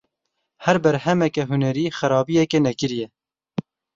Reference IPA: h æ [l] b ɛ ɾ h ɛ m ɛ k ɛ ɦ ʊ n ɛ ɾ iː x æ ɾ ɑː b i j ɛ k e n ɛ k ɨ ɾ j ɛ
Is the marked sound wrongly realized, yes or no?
yes